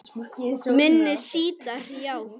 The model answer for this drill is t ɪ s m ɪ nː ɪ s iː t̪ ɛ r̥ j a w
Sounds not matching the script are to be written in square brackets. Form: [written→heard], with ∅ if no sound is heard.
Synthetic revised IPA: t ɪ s m ɪ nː ɪ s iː t̪ [ɛ→a] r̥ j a w